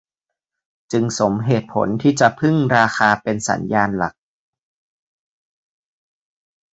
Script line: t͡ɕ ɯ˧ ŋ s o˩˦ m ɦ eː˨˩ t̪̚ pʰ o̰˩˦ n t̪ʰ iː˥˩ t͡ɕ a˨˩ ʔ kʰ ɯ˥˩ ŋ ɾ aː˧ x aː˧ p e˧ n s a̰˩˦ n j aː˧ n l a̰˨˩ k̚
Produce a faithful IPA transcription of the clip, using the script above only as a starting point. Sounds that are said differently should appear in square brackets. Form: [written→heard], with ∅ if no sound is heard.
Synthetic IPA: t͡ɕ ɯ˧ ŋ s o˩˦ m ɦ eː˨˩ t̪̚ pʰ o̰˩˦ n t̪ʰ iː˥˩ t͡ɕ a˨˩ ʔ [kʰ→pʰ] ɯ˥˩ ŋ ɾ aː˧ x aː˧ p e˧ n s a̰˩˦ n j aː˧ n l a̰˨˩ k̚